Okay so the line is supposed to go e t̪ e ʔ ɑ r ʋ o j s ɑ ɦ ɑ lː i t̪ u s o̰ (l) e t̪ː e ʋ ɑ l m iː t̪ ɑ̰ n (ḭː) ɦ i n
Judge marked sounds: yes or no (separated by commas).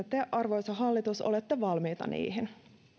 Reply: yes, yes